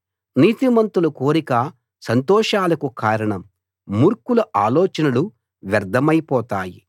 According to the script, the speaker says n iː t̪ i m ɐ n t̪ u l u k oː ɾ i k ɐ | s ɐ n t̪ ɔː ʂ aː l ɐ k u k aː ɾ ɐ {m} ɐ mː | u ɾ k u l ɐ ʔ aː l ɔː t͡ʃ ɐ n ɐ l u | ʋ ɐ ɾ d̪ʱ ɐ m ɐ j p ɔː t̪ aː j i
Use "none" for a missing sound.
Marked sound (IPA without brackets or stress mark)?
ɳ